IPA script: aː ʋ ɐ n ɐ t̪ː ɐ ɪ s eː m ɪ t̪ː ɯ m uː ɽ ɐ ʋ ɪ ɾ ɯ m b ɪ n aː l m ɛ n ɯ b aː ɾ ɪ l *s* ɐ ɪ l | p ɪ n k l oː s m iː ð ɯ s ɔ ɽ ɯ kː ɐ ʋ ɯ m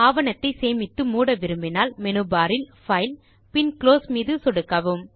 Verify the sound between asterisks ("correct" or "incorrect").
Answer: incorrect